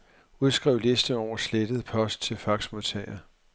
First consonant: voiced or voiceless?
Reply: voiced